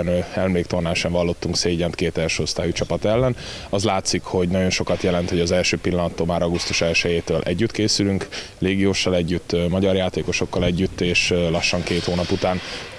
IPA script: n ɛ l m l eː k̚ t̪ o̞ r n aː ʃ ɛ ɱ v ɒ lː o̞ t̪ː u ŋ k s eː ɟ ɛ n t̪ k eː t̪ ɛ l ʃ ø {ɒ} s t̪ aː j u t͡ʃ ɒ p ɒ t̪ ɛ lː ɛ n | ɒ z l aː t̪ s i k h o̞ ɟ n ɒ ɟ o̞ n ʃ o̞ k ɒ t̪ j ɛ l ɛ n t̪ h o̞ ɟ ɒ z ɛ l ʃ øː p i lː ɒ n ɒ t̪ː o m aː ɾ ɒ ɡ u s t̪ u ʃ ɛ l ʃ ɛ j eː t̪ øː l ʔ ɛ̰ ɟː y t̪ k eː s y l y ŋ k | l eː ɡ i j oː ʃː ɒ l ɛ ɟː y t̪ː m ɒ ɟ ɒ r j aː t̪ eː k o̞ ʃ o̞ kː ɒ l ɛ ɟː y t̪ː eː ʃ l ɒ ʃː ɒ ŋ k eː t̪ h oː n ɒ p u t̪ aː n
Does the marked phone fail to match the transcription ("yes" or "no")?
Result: yes